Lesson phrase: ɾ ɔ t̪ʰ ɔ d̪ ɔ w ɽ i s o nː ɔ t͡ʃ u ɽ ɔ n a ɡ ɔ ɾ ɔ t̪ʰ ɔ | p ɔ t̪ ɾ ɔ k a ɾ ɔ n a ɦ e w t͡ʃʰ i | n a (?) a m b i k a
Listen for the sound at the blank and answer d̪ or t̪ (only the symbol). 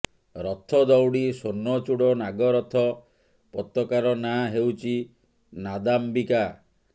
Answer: d̪